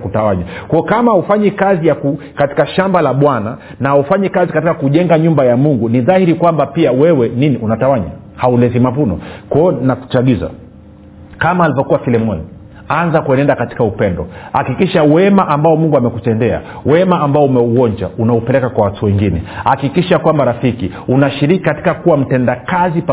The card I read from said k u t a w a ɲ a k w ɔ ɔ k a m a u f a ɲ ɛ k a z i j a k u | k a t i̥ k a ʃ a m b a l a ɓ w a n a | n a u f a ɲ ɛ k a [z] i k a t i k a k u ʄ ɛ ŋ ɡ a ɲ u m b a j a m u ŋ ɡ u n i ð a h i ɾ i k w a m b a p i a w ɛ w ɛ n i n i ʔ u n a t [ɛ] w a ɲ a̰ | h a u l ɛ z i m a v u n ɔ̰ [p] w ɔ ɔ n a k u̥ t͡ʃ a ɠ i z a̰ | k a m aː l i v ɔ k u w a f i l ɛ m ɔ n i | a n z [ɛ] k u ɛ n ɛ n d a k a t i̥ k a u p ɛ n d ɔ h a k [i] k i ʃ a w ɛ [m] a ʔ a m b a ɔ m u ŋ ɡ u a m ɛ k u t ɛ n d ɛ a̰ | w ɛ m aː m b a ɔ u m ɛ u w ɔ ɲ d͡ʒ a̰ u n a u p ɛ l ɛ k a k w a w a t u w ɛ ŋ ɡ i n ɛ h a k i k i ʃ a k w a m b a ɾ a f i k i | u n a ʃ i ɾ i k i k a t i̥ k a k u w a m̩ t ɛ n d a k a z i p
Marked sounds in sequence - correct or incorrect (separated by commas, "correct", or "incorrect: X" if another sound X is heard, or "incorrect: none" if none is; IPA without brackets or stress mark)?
correct, incorrect: a, incorrect: k, incorrect: a, correct, correct